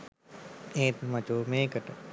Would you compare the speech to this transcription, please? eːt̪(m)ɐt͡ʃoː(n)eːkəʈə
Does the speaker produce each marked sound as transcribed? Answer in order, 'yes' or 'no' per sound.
yes, no

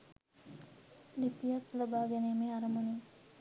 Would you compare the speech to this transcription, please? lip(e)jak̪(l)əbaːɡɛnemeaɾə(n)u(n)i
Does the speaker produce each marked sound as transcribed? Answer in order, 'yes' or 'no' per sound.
no, yes, no, yes

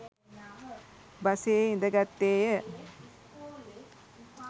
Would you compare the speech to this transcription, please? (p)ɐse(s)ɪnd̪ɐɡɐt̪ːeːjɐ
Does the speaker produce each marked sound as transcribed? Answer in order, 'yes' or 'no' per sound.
no, no

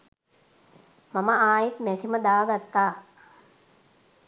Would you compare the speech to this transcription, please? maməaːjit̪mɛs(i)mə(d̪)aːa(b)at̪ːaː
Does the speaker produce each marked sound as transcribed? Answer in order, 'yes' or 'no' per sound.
yes, yes, no

